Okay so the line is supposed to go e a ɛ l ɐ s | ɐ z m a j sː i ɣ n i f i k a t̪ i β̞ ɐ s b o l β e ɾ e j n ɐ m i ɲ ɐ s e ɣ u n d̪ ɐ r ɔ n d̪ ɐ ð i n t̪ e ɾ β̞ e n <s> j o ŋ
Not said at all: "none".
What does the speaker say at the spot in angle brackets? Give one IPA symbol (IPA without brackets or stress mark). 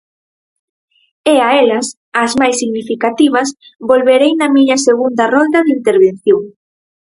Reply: θ